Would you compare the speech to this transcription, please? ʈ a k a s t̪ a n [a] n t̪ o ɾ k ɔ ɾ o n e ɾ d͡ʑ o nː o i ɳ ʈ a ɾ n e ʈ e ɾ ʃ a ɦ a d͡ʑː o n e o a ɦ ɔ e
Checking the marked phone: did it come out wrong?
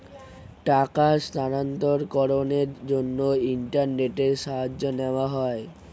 no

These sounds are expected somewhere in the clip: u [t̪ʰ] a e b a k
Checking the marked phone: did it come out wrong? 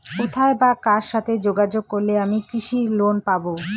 no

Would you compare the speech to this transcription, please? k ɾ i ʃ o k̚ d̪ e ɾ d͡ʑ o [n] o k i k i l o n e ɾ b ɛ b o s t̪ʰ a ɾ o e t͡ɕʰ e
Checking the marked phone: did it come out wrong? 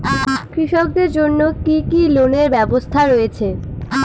yes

